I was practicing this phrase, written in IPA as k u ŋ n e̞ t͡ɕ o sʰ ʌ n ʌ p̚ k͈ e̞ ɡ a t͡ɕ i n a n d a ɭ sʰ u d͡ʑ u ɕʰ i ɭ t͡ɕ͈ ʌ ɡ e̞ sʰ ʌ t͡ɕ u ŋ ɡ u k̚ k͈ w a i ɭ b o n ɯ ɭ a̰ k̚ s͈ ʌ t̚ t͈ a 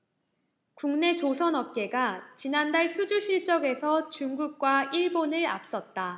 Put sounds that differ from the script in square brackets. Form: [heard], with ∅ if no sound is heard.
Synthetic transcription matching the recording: k u ŋ n e̞ t͡ɕ o sʰ ʌ n ʌ p̚ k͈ e̞ ɡ a t͡ɕ i n a n d a ɭ sʰ u d͡ʑ u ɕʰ i ɭ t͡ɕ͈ ʌ ɡ e̞ sʰ ʌ t͡ɕ u ŋ ɡ u k̚ k͈ w a i ɭ b o n ɯ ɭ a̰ [p̚] s͈ ʌ t̚ t͈ a